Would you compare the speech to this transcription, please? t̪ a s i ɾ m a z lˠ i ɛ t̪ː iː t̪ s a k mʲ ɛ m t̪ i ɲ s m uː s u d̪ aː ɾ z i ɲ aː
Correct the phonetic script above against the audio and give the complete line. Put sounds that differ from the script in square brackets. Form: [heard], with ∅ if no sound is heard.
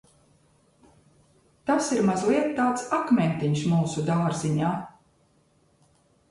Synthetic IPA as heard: t̪ a s i ɾ m a z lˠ i ɛ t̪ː [aː] t̪ s a k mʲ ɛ [n] t̪ i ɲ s m uː s u d̪ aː ɾ z i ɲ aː